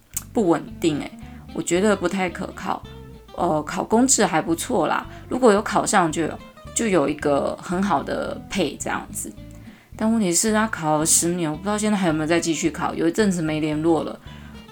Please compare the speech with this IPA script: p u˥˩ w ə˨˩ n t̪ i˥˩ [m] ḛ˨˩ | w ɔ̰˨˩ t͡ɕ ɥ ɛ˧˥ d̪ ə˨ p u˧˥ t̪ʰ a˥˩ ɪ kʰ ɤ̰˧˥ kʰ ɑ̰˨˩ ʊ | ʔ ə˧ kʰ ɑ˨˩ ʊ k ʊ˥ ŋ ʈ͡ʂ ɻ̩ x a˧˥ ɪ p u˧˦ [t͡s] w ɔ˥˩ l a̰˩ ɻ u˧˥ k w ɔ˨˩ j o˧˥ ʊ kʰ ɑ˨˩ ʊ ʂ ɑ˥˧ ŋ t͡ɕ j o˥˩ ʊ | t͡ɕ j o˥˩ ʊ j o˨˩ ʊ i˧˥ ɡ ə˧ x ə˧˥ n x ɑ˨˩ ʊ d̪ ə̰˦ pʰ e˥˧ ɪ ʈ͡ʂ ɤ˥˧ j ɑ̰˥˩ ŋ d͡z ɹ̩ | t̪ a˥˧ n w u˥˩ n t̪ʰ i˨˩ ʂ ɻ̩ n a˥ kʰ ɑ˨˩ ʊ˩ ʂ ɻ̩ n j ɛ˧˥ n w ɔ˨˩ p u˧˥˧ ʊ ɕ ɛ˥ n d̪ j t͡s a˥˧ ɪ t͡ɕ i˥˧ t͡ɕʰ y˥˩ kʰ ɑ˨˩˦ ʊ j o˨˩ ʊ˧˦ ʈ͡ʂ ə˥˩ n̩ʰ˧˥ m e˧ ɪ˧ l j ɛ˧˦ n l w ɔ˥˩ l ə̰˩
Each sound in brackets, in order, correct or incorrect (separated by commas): incorrect, incorrect